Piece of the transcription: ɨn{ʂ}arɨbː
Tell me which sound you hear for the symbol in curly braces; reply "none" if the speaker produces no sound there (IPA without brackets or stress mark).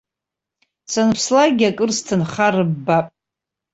χ